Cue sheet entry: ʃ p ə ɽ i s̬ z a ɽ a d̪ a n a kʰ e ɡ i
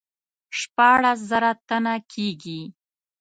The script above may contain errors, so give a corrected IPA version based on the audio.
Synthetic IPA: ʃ p ɑ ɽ a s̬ z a ɾ a t̪ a n a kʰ e ɡ i